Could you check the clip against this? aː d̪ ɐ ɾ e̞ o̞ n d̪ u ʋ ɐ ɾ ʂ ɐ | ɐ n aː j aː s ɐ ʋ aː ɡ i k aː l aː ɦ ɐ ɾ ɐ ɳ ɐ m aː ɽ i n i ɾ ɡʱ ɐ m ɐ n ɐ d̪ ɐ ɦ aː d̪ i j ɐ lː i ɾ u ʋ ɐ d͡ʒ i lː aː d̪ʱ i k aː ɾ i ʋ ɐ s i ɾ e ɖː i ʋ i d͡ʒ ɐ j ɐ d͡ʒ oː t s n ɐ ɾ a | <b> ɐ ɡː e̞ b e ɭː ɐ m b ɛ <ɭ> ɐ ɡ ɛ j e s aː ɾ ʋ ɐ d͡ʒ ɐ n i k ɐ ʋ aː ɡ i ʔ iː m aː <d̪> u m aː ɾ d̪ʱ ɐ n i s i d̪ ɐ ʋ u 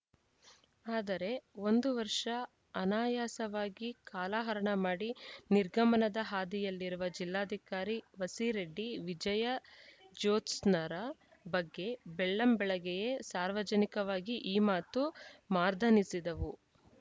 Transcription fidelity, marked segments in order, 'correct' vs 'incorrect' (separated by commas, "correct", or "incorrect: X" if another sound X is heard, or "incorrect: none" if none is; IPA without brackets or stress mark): correct, correct, incorrect: t̪